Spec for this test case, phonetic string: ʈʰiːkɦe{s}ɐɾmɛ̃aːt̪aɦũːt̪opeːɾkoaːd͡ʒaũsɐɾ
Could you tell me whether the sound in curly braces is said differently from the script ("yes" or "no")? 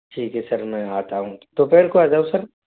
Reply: no